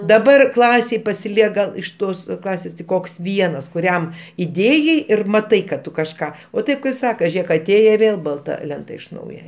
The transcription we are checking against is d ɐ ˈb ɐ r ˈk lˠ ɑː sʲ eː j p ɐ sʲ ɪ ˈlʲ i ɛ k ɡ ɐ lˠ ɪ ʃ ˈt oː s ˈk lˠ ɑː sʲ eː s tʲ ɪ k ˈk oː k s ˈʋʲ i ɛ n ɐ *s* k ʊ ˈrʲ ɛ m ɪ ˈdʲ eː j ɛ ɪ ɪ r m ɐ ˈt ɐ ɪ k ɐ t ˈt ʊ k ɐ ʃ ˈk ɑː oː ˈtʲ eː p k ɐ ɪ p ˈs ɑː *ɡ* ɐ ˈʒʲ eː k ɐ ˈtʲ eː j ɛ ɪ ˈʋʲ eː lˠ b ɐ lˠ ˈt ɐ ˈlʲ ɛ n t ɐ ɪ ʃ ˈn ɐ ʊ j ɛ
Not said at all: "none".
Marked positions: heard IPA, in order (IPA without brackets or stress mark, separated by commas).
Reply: s, k